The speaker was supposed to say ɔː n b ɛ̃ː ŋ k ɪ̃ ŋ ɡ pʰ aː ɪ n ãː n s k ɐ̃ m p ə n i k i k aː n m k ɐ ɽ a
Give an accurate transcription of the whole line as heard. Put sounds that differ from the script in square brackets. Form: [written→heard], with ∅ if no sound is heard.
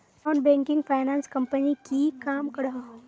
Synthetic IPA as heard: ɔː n b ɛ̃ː ŋ k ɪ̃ ŋ ɡ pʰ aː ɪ n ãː n s k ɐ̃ m p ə n i k i k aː [n→∅] m k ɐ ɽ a

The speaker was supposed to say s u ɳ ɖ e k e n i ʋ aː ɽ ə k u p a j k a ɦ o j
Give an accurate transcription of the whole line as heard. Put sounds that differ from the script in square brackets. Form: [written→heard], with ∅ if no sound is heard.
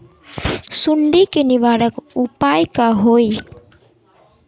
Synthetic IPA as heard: s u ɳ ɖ [e→i] k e n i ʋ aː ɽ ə k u p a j k a ɦ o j

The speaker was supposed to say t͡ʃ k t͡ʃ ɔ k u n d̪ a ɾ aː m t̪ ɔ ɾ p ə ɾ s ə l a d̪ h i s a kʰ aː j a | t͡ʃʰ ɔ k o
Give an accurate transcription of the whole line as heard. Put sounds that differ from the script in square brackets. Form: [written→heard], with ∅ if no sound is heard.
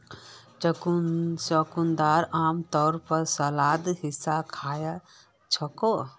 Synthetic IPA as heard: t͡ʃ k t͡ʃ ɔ k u n d̪ a ɾ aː m t̪ ɔ ɾ p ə ɾ s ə l a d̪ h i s a kʰ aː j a | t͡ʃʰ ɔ k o

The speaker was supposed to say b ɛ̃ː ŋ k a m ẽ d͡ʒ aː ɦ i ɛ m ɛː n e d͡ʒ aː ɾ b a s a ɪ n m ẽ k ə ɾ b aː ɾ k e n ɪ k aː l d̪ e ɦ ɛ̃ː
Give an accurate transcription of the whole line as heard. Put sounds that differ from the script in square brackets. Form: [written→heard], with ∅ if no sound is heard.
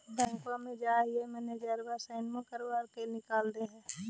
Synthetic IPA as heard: b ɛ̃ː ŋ k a m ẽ d͡ʒ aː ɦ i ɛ m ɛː n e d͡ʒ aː ɾ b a s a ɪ n m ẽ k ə ɾ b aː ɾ k e n ɪ k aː l d̪ e ɦ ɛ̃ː

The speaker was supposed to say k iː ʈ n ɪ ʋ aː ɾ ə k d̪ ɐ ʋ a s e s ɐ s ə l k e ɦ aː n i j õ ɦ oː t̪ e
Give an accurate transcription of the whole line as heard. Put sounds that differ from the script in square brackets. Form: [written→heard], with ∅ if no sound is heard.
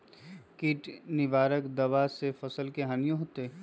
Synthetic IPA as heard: k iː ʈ n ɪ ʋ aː ɾ ə k d̪ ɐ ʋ a s e [s→f] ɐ s ə l k e ɦ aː n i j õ ɦ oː t̪ e

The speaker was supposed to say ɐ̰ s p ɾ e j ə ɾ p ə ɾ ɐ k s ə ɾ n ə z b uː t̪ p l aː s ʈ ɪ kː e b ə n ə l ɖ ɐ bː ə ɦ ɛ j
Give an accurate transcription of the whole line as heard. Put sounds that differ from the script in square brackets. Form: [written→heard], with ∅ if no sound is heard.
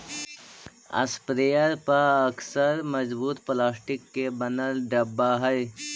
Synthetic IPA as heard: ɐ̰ s p ɾ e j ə ɾ p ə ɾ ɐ k s ə ɾ [n→m] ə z b uː t̪ p l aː s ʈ ɪ kː e b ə n ə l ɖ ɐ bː [ə→a] ɦ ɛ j

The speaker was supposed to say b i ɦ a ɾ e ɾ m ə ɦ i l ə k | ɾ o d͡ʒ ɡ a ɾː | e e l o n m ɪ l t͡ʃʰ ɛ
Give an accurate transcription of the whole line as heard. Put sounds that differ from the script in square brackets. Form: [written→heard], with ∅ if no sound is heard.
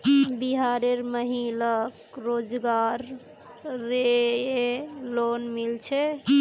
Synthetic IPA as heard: b i ɦ a ɾ e ɾ m ə ɦ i l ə k | ɾ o d͡ʒ ɡ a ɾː | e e l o n m [ɪ→i] l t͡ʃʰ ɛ

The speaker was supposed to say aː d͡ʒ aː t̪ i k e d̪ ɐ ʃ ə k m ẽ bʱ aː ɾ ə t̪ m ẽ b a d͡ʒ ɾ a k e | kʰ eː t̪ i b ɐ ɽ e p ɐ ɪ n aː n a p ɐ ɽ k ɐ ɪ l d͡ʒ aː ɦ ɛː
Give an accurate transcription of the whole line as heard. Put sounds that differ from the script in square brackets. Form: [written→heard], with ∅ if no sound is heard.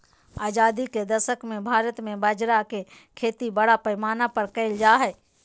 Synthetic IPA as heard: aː d͡ʒ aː [t̪→d̪] i k e d̪ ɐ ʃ ə k m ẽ bʱ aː ɾ ə t̪ m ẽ b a d͡ʒ ɾ a k e | kʰ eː t̪ i b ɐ ɽ [e→a] p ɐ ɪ [n→m] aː n a p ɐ [ɽ→ɾ] k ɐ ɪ l d͡ʒ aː ɦ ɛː

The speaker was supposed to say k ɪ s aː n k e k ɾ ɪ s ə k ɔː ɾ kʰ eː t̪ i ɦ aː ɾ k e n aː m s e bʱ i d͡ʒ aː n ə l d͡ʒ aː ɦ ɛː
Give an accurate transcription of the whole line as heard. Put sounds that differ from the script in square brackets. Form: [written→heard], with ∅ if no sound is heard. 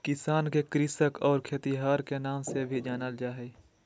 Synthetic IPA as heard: k ɪ s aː n k e k ɾ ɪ s ə k ɔː ɾ kʰ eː t̪ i ɦ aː ɾ k e n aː m s e bʱ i d͡ʒ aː n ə l d͡ʒ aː ɦ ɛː

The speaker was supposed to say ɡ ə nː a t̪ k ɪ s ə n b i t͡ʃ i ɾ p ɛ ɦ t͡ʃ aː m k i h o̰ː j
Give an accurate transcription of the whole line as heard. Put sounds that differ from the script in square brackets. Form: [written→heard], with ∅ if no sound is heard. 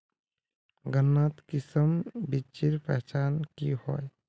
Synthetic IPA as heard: ɡ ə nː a t̪ k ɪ s ə [n→m] b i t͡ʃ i ɾ p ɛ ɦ t͡ʃ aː [m→n] k i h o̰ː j

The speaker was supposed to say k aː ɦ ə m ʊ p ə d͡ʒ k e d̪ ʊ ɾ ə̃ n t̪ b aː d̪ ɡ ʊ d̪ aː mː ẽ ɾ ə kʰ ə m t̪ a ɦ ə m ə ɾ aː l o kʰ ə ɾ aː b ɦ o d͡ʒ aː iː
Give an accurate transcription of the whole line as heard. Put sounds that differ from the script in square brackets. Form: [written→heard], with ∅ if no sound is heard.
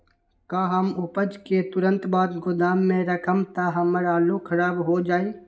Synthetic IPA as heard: k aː ɦ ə m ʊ p ə d͡ʒ k e [d̪→t̪] ʊ ɾ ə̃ n t̪ b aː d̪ ɡ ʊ d̪ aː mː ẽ ɾ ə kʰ ə m t̪ a ɦ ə m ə ɾ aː l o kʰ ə ɾ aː b ɦ o d͡ʒ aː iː

